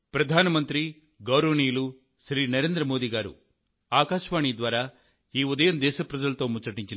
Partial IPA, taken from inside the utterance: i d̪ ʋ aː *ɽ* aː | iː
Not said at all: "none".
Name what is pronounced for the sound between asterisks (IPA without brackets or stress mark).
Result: ɾ